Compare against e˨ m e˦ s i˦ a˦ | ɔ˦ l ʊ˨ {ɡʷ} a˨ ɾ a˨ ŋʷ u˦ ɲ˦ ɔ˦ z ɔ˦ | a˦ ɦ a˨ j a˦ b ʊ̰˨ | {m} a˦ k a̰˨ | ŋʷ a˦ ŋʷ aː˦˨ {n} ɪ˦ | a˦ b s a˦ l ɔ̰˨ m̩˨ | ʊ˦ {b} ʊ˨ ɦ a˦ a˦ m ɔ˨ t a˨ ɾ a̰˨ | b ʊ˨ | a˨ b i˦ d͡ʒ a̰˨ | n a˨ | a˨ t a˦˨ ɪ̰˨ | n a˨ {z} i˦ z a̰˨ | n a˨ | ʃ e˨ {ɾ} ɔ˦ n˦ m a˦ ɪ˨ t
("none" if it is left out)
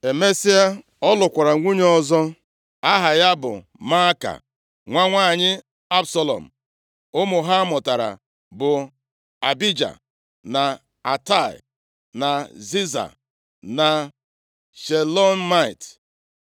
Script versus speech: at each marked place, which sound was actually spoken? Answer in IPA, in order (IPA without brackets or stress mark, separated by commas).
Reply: kʷ, m, ɲ, m, z, l